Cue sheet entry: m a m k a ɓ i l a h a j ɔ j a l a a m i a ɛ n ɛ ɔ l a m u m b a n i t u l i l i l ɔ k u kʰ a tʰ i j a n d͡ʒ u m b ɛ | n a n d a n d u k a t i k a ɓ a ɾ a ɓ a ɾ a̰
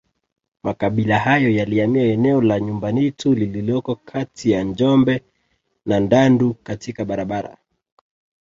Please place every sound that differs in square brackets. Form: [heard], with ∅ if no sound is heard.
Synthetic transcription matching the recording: m a [∅] k a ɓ i l a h a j ɔ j a l [i] a m i a ɛ n ɛ ɔ l a [ɲ] u m b a n i t u l i l i l ɔ k [ɔ] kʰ a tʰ i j a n d͡ʒ [ɔ] m b ɛ | n a n d a n d u k a t i k a ɓ a ɾ a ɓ a ɾ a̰